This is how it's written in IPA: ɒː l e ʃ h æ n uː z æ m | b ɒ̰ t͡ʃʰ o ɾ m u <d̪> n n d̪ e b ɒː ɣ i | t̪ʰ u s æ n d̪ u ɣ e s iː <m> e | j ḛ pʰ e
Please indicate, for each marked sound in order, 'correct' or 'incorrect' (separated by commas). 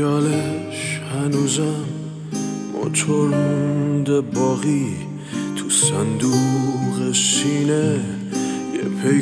incorrect, incorrect